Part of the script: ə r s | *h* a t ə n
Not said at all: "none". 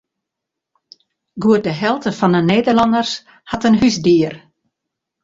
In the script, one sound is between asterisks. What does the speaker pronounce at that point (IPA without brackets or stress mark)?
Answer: h